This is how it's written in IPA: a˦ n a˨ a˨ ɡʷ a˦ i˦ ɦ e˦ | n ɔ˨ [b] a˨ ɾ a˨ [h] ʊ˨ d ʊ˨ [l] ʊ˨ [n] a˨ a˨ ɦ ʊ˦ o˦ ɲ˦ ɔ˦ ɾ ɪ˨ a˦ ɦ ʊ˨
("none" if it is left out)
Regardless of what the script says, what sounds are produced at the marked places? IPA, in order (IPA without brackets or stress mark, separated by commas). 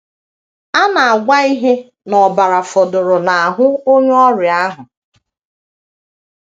b, f, ɾ, n